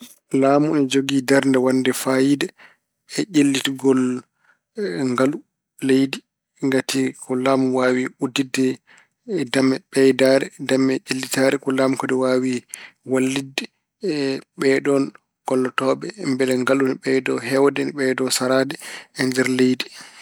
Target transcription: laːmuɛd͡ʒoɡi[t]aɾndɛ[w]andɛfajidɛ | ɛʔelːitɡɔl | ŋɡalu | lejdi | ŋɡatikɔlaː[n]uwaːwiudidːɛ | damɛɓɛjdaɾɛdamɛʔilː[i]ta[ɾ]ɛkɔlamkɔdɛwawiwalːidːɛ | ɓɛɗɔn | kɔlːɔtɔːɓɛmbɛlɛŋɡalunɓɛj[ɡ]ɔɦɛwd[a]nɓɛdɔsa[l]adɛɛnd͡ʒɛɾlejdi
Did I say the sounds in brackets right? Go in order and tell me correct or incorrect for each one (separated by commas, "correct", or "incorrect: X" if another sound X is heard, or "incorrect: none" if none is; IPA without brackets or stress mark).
incorrect: d, correct, incorrect: m, correct, correct, incorrect: d, incorrect: ɛ, incorrect: ɾ